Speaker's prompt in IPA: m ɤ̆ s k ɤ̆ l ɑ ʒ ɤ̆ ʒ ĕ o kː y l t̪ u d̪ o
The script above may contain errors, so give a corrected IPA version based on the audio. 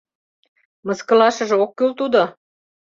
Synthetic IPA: m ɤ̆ s k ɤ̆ l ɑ ʃ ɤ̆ ʒ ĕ o kː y l t̪ u d̪ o